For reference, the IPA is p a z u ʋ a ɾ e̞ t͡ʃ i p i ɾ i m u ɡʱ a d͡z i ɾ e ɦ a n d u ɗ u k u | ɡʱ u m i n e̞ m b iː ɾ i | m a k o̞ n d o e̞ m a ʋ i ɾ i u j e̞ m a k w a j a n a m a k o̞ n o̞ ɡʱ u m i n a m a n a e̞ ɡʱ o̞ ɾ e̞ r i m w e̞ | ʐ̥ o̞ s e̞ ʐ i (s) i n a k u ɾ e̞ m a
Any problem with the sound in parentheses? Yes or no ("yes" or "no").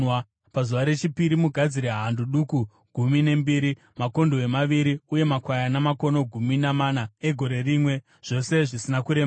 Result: no